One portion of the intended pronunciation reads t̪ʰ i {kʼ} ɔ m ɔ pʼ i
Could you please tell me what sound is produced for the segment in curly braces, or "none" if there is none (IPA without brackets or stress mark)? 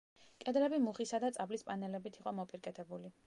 qʼ